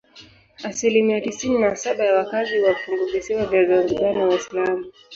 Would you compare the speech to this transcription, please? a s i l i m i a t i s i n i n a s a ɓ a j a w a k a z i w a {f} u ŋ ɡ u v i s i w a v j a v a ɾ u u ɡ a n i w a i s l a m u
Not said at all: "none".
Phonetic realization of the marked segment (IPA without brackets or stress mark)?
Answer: f